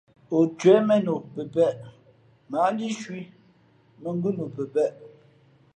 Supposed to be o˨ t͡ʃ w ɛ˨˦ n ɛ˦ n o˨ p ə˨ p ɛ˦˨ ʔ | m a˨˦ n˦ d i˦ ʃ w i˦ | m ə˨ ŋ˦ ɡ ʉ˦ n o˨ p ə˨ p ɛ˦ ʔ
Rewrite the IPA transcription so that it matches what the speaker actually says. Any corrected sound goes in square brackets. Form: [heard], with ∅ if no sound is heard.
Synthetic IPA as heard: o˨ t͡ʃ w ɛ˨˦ [m] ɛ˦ n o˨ p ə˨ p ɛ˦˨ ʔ | m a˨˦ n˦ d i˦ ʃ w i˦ | m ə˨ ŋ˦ ɡ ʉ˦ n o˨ p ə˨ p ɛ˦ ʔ